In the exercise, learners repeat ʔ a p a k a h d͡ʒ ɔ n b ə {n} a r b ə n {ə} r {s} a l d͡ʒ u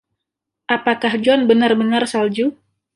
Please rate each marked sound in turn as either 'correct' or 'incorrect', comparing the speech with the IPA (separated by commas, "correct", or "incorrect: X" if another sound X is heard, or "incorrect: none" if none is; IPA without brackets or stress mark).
correct, incorrect: a, correct